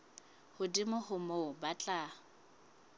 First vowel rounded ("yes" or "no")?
yes